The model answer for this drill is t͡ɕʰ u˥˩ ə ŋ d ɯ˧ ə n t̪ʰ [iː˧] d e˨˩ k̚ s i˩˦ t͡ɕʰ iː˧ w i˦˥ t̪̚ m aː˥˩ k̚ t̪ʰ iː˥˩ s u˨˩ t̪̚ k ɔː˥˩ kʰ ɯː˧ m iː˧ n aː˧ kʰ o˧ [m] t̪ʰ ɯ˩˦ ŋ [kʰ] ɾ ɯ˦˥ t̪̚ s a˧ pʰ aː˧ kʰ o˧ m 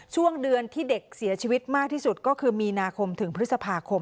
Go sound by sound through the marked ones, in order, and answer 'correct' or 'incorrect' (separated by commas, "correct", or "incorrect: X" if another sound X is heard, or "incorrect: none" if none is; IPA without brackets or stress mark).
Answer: incorrect: iː˥˩, correct, incorrect: pʰ